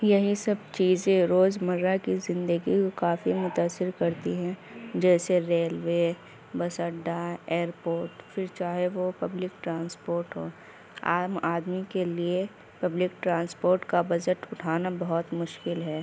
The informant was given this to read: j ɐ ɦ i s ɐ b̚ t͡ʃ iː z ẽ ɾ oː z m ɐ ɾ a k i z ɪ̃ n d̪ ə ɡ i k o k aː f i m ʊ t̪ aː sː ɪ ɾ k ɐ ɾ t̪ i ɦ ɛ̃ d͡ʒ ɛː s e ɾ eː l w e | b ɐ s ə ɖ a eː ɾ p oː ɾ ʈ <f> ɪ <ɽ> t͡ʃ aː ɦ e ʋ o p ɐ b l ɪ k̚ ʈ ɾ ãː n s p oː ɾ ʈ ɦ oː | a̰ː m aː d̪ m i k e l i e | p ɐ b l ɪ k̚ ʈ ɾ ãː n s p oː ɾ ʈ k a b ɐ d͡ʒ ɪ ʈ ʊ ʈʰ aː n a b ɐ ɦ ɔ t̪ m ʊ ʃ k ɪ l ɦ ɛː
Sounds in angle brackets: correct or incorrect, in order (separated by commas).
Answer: correct, incorrect